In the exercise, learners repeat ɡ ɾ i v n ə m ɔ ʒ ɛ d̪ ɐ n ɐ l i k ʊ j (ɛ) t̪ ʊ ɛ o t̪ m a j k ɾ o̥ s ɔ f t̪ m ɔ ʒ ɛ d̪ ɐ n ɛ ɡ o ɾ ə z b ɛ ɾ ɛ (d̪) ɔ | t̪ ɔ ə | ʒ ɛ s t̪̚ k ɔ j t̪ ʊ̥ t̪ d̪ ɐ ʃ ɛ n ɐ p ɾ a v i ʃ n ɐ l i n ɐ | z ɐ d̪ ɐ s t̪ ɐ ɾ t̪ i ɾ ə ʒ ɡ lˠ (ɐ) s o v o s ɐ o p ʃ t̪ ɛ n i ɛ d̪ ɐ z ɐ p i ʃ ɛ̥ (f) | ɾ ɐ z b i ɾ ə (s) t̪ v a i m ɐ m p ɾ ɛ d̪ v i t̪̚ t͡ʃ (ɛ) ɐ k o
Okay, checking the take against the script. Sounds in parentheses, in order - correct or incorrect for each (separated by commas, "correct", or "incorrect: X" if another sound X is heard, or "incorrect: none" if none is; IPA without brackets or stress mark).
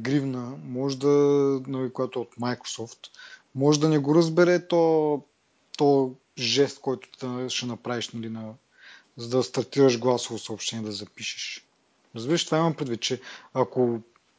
incorrect: a, incorrect: t̪, incorrect: a, incorrect: ʃ, incorrect: ʃ, correct